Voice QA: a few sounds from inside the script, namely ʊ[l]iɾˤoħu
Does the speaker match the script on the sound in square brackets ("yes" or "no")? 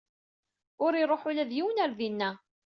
no